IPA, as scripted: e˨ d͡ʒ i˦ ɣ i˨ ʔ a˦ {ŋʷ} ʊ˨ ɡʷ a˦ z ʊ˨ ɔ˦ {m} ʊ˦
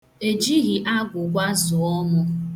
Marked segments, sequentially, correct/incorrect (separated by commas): incorrect, correct